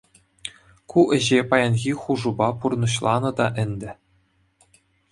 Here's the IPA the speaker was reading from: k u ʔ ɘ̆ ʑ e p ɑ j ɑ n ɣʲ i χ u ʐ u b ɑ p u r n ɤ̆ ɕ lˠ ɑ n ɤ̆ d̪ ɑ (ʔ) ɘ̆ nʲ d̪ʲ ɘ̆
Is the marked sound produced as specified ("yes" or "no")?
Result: yes